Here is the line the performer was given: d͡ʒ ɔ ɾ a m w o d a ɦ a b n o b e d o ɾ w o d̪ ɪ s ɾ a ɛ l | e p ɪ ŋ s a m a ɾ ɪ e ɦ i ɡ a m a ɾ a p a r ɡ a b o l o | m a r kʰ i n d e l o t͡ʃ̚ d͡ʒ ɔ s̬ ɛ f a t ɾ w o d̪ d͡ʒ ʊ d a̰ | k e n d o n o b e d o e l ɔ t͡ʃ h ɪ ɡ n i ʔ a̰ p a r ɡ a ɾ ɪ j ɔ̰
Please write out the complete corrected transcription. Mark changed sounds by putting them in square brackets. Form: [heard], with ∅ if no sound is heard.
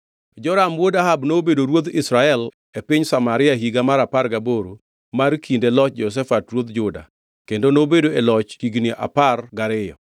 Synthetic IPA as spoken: d͡ʒ ɔ ɾ a m w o d a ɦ a b n o b e d o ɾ w o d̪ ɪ s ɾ a ɛ l | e p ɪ [ɲ] s a m a ɾ ɪ [a] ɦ i ɡ a m a ɾ a p a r ɡ a b o [ɾ] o | m a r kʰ i n d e l [ɔ] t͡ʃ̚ d͡ʒ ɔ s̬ ɛ f a t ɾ w o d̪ d͡ʒ ʊ d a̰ | k e n d o n o b e d o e l ɔ t͡ʃ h [i] ɡ n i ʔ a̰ p a r ɡ a ɾ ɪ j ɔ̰